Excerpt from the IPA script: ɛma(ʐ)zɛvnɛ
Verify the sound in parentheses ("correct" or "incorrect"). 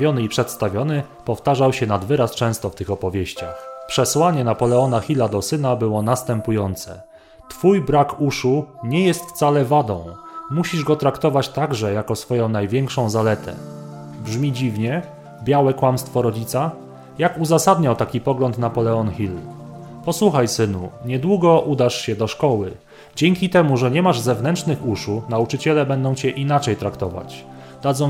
correct